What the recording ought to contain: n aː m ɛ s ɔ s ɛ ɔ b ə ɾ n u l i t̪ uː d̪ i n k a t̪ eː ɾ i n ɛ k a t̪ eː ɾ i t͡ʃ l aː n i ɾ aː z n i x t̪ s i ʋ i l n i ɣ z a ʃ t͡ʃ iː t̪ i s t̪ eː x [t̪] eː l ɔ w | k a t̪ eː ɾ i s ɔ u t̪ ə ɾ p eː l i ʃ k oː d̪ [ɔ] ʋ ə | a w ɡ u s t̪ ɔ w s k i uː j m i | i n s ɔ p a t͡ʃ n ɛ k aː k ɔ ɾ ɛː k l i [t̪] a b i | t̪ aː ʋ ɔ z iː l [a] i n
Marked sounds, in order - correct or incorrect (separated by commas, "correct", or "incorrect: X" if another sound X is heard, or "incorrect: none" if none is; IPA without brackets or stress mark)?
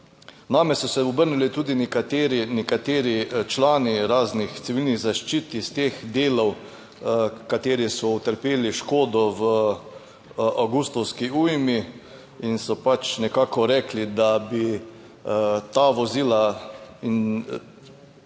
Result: incorrect: d̪, correct, incorrect: d̪, correct